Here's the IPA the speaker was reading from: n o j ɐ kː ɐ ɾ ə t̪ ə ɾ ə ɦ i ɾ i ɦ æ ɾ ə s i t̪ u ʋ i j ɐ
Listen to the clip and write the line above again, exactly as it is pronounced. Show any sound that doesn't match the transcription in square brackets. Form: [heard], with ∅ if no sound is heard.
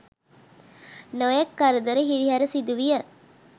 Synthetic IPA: n o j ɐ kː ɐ ɾ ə [d̪] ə ɾ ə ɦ i ɾ i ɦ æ ɾ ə s i [d̪] u ʋ i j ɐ